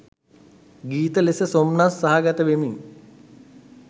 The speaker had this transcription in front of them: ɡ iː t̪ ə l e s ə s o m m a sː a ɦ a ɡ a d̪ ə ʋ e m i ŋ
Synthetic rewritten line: ɡ iː t̪ ə l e s ə s o m n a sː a ɦ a ɡ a t̪ ə ʋ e m i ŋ

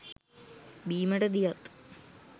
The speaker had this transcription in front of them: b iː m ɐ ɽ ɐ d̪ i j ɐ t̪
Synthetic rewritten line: b iː m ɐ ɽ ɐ d̪ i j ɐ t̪

